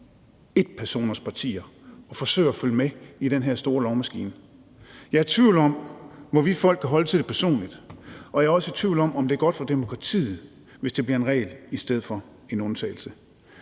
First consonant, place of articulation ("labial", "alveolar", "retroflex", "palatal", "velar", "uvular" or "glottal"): alveolar